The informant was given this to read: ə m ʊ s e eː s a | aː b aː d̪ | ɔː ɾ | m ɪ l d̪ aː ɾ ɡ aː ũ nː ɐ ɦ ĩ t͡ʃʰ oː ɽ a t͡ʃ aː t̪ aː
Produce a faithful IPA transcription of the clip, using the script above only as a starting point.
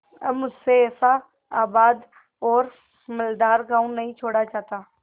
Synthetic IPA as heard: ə m ʊ s e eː s a | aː b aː d̪ | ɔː ɾ | m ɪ l d̪ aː ɾ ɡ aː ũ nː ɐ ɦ ĩ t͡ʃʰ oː ɽ a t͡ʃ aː t̪ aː